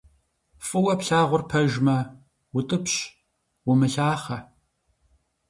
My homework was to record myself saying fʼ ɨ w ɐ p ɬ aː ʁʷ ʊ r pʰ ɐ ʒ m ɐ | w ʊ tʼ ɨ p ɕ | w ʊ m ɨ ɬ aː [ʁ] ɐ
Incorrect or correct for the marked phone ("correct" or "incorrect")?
incorrect